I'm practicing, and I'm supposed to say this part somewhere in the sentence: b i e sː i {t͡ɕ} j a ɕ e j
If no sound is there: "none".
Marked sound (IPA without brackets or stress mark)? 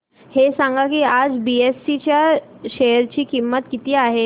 t͡ɕ